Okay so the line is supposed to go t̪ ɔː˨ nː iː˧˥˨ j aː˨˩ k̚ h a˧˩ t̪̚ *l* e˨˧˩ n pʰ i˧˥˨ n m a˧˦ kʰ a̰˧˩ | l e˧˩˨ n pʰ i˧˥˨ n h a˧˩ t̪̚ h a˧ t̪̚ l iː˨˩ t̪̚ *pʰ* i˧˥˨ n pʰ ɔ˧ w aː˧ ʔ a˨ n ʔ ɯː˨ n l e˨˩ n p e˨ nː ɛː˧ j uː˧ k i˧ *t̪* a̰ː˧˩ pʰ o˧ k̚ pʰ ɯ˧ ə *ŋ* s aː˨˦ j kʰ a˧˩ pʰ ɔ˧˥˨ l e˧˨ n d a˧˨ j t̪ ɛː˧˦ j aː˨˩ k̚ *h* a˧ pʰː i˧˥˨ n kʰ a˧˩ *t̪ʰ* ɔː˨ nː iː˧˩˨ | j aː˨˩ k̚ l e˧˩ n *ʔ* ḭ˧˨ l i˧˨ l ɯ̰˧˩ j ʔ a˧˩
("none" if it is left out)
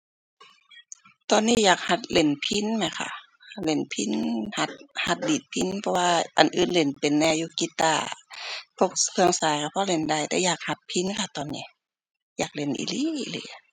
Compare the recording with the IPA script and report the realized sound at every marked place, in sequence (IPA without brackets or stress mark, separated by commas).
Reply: l, pʰ, t̪, ŋ, h, t̪, ʔ